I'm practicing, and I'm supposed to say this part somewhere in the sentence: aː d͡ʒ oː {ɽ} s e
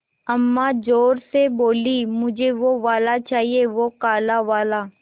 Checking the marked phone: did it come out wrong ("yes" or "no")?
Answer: yes